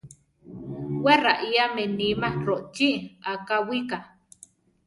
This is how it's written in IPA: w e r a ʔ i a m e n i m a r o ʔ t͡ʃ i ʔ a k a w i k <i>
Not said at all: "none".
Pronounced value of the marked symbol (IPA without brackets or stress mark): a